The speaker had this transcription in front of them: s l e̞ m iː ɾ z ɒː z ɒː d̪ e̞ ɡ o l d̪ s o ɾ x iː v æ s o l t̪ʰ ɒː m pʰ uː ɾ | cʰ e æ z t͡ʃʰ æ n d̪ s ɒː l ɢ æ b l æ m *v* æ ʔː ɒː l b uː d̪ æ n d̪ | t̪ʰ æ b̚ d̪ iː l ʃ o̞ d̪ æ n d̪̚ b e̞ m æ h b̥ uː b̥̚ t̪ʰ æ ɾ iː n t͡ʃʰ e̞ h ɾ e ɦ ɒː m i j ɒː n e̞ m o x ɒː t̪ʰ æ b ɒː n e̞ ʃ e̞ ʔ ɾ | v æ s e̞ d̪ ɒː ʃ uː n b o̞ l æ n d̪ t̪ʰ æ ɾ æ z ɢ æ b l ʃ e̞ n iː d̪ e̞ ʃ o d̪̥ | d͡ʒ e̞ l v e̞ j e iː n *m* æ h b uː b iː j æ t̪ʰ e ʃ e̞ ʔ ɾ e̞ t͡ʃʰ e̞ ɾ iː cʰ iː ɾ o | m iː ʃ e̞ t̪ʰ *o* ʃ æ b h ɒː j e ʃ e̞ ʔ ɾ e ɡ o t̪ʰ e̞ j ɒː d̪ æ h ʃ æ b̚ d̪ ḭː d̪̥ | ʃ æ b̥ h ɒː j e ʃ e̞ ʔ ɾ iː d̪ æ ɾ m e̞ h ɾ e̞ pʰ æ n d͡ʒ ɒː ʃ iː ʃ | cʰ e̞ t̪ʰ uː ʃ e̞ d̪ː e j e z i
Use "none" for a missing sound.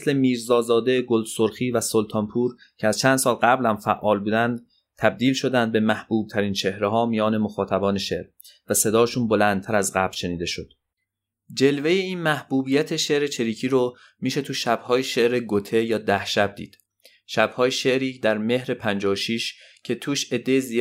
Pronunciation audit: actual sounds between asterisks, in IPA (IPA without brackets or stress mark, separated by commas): f, m, u